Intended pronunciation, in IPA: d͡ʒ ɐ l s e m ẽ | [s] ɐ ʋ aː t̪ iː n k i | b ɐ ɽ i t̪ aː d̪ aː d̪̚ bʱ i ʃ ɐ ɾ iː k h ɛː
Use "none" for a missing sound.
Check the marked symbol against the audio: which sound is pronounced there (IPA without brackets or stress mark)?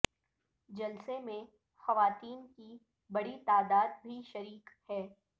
x